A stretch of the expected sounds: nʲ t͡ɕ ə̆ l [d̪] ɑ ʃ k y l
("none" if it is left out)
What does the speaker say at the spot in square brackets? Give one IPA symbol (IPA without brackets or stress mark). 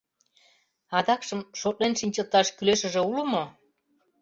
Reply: t̪